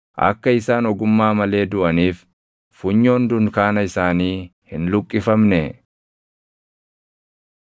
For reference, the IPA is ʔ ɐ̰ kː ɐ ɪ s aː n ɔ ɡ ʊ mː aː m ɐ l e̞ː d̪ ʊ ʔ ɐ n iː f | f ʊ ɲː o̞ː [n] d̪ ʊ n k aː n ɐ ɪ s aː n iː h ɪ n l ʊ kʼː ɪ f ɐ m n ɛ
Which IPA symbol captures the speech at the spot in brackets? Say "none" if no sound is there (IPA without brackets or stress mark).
n